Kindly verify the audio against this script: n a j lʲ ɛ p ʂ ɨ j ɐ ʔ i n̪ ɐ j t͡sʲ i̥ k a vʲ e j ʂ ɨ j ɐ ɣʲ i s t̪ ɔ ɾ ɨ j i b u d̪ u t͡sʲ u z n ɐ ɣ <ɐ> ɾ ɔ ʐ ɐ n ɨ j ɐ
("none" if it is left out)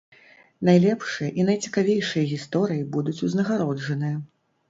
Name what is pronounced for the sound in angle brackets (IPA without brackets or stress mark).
a